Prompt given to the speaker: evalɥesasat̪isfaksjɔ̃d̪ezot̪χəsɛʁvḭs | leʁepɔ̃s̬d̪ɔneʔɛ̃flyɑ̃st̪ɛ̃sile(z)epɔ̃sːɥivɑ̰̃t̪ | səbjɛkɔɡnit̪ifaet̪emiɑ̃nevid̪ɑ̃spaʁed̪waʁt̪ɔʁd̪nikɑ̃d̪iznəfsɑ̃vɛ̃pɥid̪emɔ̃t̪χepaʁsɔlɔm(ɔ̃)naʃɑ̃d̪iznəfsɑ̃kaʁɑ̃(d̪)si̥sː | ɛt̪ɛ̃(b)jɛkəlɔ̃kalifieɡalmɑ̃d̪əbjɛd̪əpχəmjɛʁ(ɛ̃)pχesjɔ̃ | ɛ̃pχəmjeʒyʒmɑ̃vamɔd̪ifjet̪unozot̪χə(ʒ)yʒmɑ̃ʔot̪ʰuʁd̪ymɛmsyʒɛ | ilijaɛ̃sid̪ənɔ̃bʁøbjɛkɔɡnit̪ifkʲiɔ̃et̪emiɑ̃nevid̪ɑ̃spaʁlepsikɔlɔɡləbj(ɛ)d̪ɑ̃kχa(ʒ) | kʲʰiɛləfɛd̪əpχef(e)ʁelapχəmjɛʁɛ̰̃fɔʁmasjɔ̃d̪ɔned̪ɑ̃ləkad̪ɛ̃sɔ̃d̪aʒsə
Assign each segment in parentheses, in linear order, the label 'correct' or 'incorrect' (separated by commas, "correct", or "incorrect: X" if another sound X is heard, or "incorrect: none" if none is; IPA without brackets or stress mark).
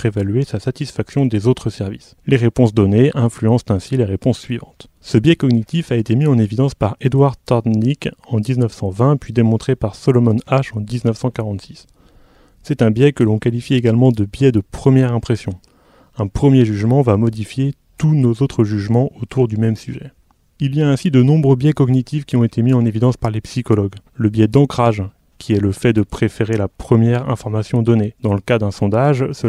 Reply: incorrect: ʁ, incorrect: ɔ, incorrect: t̪, correct, correct, correct, correct, correct, correct